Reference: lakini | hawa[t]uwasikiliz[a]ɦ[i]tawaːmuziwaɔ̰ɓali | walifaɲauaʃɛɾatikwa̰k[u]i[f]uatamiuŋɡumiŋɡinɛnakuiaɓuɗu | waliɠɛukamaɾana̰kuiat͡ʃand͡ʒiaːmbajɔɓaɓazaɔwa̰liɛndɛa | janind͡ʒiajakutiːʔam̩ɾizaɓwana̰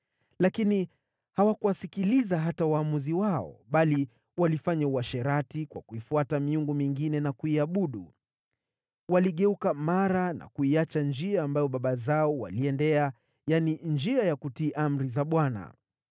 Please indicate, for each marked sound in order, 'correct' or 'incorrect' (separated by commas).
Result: incorrect, correct, incorrect, correct, correct